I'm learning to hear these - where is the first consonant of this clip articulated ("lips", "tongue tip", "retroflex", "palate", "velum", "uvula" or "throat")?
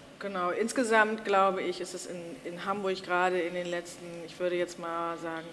velum